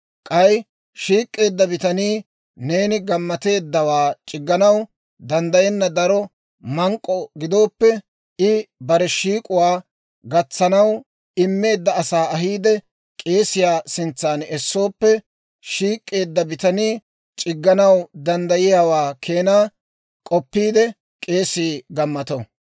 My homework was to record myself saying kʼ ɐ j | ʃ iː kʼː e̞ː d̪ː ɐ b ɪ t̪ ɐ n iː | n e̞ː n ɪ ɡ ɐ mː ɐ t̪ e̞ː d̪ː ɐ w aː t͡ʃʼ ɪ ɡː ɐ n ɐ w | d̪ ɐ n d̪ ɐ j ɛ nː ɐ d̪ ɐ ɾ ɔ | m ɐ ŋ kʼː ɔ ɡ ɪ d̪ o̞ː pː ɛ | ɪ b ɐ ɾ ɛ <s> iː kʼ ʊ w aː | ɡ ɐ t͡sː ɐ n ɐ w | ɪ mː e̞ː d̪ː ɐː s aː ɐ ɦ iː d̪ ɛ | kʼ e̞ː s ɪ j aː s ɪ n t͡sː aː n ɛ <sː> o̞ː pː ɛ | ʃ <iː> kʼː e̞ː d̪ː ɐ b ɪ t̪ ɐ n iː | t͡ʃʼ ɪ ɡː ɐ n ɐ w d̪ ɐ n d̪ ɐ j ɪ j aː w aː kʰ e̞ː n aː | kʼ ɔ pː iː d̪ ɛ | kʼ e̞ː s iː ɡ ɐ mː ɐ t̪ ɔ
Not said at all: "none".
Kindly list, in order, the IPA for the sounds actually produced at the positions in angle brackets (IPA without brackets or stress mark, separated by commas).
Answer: ʃ, sː, iː